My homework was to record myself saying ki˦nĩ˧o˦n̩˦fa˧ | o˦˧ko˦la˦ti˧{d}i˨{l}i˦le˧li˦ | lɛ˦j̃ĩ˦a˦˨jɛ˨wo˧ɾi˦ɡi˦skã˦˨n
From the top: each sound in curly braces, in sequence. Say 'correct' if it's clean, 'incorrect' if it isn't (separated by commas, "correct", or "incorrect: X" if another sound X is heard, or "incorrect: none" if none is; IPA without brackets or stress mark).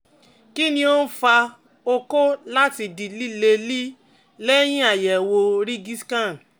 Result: correct, correct